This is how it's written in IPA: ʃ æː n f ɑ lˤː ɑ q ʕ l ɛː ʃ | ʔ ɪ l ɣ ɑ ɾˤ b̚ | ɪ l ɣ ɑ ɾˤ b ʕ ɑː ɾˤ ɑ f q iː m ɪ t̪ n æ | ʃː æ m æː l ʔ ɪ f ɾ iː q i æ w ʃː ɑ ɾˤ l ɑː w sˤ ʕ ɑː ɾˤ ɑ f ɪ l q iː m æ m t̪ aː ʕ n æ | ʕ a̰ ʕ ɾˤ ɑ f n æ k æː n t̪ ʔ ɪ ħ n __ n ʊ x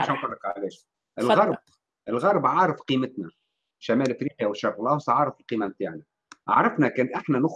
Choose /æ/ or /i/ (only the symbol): æ